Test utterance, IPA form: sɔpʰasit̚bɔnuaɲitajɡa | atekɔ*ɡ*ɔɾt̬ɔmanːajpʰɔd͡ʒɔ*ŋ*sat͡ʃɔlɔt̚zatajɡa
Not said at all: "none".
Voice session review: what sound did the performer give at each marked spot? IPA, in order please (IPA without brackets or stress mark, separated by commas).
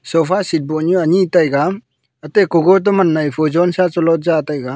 ɡ, n